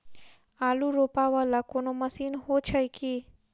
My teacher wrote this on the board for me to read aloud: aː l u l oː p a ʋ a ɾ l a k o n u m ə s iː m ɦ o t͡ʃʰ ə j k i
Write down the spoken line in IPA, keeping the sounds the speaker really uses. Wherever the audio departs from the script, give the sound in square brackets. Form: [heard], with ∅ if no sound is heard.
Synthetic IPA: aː l u [ɾ] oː p a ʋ a [∅] l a k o n [o] m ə s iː [n] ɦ o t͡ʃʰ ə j k i